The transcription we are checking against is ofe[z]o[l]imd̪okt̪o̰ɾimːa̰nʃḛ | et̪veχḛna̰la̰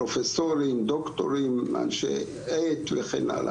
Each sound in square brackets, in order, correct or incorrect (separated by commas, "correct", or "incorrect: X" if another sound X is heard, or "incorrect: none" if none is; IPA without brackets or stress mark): incorrect: s, incorrect: ɾ